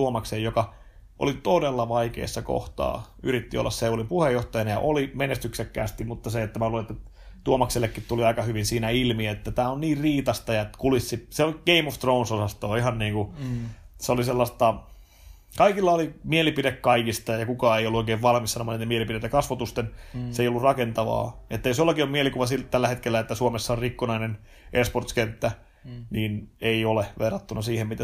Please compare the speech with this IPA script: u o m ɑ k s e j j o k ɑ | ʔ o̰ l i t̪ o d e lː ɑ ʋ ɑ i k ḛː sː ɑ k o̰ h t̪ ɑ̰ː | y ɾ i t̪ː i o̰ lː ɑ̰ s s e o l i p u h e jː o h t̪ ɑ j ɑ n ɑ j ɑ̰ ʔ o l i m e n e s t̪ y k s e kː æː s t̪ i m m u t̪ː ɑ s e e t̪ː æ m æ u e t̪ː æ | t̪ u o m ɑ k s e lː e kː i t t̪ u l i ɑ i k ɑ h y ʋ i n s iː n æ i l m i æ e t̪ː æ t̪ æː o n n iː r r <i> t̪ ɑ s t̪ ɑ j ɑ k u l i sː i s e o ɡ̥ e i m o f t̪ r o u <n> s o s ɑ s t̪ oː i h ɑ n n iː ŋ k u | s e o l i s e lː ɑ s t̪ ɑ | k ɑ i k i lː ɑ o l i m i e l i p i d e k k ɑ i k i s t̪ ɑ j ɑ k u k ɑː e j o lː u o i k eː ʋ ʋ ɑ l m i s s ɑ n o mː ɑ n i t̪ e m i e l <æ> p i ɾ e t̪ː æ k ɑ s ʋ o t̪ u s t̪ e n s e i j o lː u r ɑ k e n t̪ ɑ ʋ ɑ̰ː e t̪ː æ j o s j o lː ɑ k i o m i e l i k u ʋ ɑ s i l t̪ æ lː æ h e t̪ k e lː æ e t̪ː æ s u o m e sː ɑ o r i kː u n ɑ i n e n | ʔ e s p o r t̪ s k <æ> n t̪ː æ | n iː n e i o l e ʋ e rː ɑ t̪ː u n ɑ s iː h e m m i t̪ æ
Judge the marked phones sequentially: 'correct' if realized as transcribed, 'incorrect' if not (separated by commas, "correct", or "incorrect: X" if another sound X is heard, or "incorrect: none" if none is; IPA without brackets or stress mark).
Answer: incorrect: iː, correct, incorrect: i, incorrect: e